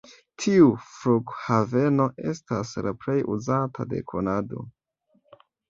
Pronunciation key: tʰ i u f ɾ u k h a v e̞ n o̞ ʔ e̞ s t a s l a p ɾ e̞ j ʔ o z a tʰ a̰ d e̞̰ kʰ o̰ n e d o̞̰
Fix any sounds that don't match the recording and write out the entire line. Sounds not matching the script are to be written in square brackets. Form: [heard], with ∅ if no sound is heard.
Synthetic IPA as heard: tʰ i u f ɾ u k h a v e̞ n o̞ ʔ e̞ s t a s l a p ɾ e̞ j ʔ [u] z a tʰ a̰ d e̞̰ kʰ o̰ n [a] d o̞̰